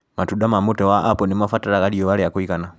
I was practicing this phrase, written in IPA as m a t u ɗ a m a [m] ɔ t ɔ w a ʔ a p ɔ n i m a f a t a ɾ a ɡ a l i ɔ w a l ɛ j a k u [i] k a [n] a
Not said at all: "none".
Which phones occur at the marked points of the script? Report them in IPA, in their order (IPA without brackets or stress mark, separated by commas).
m, i, n